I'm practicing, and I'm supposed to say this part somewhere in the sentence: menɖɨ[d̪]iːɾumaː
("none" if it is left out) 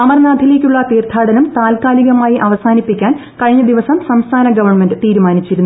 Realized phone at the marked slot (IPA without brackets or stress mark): t̪